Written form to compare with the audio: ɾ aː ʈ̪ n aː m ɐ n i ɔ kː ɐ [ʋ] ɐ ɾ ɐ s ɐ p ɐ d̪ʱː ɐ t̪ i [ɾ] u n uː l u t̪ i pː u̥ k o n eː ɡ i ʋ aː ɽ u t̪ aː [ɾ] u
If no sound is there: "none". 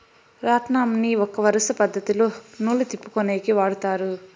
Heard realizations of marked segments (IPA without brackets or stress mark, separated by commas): ʋ, l, ɾ